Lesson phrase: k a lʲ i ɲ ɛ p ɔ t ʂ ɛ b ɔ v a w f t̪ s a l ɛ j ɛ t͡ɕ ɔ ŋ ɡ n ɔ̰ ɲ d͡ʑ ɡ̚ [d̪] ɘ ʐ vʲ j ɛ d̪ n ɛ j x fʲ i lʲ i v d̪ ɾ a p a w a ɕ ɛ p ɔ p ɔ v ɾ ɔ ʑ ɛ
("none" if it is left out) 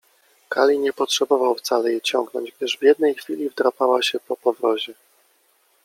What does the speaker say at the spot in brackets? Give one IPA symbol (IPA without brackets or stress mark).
d̪